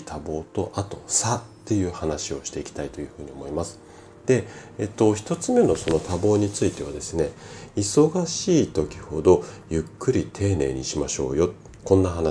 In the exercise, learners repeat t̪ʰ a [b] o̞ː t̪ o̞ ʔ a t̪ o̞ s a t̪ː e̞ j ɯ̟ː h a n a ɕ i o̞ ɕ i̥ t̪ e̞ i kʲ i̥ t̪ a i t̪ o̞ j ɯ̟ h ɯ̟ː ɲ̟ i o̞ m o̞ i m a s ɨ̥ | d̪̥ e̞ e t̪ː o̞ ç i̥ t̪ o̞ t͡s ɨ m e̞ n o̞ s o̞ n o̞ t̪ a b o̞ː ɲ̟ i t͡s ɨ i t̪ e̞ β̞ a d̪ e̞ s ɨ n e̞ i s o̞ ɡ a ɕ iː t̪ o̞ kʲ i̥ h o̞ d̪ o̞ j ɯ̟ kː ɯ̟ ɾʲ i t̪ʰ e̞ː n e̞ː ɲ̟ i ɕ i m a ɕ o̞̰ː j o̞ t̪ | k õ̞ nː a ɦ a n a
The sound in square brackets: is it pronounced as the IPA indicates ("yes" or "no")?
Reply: yes